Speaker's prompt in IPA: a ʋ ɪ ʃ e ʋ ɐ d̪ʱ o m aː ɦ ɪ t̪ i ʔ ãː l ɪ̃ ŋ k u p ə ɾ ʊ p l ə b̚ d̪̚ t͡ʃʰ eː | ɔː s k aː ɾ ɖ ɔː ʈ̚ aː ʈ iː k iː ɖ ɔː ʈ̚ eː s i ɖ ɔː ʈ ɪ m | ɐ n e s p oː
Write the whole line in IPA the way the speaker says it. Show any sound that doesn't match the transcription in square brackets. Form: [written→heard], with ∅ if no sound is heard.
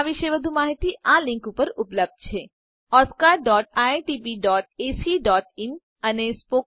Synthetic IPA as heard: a ʋ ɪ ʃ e ʋ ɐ d̪ʱ [o→u] m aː ɦ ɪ t̪ i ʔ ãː l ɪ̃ ŋ k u p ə ɾ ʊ p l ə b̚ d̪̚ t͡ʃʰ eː | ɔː s k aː ɾ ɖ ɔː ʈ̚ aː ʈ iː [k→p] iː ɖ ɔː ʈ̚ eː s i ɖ ɔː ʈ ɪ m | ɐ n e s p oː